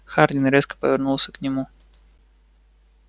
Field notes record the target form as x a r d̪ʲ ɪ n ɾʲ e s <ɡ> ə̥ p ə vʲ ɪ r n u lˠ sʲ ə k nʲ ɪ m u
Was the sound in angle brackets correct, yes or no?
no